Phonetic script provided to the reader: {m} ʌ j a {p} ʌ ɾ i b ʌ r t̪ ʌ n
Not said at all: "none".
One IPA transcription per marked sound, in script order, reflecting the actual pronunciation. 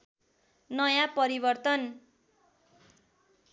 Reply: n, p

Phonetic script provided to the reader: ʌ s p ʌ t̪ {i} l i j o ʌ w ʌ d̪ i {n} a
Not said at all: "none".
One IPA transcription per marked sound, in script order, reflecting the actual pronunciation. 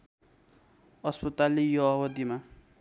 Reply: a, m

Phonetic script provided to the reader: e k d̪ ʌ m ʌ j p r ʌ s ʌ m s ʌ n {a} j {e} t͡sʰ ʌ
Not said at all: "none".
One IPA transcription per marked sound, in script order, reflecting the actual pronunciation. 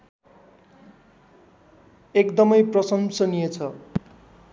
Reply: i, e

